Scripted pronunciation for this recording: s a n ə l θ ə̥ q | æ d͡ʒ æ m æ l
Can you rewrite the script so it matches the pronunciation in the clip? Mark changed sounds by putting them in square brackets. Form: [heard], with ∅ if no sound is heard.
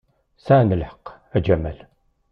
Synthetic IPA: s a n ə l [ħ] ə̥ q | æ d͡ʒ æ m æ l